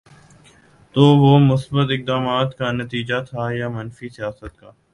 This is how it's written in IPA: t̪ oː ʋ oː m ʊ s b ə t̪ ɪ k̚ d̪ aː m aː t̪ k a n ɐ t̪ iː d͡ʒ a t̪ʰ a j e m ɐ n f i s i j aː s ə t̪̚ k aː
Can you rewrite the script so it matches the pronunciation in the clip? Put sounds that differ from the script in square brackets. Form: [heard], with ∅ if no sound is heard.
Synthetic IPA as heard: t̪ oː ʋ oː m ʊ s b ə t̪ ɪ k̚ d̪ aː m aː t̪ k a n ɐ t̪ iː d͡ʒ a t̪ʰ a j [a] m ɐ n f i s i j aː s ə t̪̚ k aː

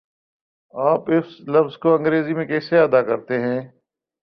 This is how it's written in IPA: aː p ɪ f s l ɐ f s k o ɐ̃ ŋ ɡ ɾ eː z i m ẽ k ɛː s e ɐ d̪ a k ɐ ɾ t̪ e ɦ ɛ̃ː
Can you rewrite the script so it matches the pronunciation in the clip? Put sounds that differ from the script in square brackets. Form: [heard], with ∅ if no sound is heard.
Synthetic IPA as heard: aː p ɪ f s l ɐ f [z] k o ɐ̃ ŋ ɡ ɾ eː z i m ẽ k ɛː s e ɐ d̪ a k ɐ ɾ t̪ e ɦ ɛ̃ː

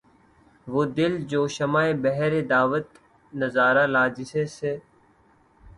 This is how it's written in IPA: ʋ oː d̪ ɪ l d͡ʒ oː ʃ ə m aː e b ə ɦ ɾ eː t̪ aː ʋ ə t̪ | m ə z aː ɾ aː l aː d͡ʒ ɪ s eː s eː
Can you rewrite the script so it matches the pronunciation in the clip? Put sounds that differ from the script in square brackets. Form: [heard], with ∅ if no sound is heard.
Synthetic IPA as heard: ʋ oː d̪ ɪ l d͡ʒ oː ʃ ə m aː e b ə ɦ ɾ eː [d̪] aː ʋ ə t̪ | [n] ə z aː ɾ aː l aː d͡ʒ ɪ s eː s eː

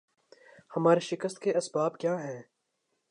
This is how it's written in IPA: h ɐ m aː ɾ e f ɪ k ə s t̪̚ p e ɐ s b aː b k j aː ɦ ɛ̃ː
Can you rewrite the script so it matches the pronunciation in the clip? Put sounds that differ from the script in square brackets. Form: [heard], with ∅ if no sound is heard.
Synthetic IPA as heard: h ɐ m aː ɾ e [ʃ] ɪ k ə s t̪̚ [k] e ɐ s b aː b k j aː ɦ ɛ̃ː

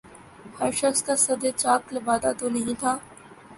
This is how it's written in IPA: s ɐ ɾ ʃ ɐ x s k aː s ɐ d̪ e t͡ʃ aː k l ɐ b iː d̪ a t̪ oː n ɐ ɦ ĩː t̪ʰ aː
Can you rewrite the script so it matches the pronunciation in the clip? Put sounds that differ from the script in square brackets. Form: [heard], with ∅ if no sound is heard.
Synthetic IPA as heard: [h] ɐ ɾ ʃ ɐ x s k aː s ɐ d̪ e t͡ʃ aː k l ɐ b [aː] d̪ a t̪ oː n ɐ ɦ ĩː t̪ʰ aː

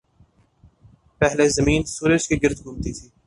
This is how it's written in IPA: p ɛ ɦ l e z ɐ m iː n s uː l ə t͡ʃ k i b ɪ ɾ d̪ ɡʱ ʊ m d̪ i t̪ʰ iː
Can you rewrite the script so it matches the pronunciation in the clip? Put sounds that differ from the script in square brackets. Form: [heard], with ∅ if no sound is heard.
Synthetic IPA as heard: p ɛ ɦ l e z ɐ m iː n s uː [ɾ] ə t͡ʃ k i [ɡ] ɪ ɾ d̪ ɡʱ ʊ m [t̪] i t̪ʰ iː

